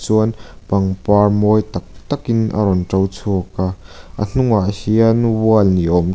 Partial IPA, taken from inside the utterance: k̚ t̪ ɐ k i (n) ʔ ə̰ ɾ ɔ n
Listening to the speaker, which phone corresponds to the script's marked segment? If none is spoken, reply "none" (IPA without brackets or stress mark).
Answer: n